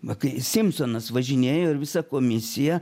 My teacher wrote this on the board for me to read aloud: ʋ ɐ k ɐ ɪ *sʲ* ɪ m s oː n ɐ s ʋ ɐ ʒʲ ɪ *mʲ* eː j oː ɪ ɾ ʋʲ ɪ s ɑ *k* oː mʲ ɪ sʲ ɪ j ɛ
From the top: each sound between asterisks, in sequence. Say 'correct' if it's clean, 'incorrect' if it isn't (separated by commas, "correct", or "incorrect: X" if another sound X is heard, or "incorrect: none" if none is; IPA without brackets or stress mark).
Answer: correct, incorrect: nʲ, correct